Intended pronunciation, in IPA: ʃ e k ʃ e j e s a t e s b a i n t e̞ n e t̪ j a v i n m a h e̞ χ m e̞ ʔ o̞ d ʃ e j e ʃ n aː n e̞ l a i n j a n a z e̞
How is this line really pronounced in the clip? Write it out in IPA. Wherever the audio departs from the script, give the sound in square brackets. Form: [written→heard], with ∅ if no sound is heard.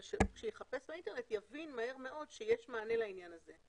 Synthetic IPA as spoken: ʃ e k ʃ e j e [s→χ] a [t→p] e s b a i n t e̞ n e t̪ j a v i n m a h e̞ [χ→ʁ] m e̞ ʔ o̞ d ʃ e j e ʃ [n→m] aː n e̞ l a i n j a n a z e̞